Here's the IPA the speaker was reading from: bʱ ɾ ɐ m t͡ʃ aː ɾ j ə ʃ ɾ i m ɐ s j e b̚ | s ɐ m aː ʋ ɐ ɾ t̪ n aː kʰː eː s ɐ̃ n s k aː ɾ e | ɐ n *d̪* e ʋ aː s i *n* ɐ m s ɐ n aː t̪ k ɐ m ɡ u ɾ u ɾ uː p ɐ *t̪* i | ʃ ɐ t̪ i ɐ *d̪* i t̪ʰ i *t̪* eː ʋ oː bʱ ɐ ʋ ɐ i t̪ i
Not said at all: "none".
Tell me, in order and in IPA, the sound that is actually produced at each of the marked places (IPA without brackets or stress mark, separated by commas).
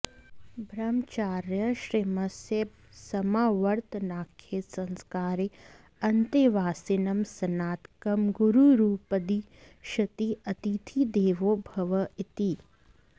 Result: t̪, n, d̪, t̪, d̪